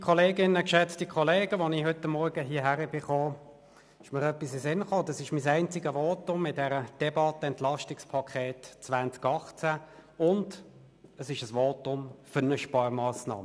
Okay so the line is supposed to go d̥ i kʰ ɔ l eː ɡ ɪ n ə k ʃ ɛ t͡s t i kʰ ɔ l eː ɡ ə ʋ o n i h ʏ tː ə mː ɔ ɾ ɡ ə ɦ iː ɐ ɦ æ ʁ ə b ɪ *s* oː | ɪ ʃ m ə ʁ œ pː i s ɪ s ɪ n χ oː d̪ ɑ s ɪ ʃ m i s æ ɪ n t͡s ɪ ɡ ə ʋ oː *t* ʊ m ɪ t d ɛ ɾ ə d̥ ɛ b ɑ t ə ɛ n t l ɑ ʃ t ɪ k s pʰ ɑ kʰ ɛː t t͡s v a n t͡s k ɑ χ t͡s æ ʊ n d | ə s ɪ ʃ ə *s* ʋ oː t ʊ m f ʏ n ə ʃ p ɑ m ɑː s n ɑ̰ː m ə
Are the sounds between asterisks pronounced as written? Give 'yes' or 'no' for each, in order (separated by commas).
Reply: no, yes, yes